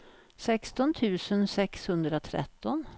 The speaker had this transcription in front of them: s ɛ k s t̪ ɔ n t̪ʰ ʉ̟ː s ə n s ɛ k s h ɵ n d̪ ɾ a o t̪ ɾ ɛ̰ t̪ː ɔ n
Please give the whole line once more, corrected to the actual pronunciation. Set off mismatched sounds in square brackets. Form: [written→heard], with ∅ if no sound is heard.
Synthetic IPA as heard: s ɛ k s t̪ ɔ n t̪ʰ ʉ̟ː s ə n s ɛ k s h ɵ n d̪ ɾ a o [t̪→t̪ʰ] ɾ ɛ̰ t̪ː ɔ n

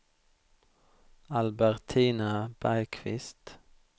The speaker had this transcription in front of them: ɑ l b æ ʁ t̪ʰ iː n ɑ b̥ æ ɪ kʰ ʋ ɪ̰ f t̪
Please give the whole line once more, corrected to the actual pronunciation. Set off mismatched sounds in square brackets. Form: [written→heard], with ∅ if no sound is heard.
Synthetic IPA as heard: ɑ l b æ ʁ t̪ʰ iː n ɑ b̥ æ ɪ kʰ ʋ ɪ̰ [f→s] t̪

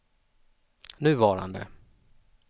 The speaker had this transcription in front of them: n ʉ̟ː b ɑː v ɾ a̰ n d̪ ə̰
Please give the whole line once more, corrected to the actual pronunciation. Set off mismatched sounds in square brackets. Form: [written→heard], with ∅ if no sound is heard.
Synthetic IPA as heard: n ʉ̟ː [b→v] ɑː [v→∅] ɾ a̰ n d̪ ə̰

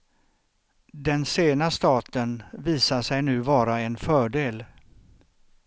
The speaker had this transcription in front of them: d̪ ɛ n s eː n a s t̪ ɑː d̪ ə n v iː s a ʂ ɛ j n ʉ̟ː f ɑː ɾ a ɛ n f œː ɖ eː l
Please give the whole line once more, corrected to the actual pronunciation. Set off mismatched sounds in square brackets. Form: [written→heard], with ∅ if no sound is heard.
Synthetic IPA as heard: d̪ ɛ n s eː n a s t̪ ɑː [d̪→t̪] ə n v iː s a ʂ ɛ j n ʉ̟ː [f→v] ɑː ɾ a ɛ n f œː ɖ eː l

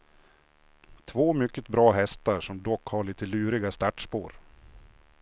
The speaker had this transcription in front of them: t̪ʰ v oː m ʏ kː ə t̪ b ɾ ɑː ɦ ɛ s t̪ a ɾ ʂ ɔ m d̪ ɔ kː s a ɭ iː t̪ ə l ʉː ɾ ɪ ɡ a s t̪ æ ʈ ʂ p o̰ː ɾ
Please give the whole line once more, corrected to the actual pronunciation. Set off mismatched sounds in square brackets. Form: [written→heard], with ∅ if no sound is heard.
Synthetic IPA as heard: t̪ʰ v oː m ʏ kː ə t̪ b ɾ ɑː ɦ ɛ s t̪ a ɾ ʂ ɔ m d̪ ɔ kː [s→h] a ɭ iː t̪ ə l ʉː ɾ ɪ ɡ a s t̪ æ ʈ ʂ p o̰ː ɾ

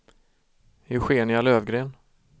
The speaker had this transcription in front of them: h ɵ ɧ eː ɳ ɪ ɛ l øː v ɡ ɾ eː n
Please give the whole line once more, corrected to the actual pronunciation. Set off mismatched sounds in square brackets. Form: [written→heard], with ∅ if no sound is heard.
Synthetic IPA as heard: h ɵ ɧ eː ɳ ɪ [ɛ→a] l øː v ɡ ɾ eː n

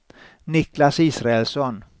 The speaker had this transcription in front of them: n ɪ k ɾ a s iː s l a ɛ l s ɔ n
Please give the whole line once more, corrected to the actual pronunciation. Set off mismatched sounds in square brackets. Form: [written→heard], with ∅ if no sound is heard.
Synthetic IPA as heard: n ɪ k [ɾ→l] a s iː s [l→ɾ] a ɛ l s ɔ n

